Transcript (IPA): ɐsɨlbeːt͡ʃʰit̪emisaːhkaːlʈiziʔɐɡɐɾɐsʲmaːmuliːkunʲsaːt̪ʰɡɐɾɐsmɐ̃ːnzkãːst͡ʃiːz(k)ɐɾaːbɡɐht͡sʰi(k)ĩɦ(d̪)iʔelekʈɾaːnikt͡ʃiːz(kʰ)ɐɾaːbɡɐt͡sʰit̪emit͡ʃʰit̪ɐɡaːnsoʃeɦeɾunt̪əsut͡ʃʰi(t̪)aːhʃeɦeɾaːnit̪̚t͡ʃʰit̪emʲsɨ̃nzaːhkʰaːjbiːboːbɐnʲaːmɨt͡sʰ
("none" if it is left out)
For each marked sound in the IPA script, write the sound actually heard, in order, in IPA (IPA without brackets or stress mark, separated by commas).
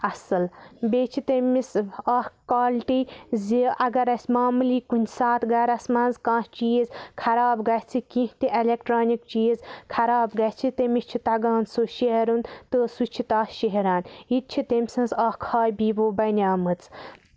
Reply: kʰ, k, t̪, kʰ, t̪